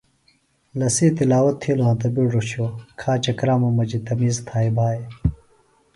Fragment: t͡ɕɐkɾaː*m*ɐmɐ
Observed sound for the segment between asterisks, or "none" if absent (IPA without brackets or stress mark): m